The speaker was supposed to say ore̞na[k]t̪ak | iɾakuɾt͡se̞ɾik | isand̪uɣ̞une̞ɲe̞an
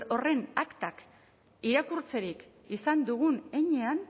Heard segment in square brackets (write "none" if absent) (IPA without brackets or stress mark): k